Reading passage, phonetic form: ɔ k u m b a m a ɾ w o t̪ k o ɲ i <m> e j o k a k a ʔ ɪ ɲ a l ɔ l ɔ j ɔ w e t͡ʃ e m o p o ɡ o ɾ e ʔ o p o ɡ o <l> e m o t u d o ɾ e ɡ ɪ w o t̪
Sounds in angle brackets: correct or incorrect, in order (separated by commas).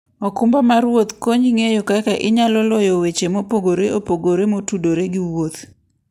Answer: incorrect, incorrect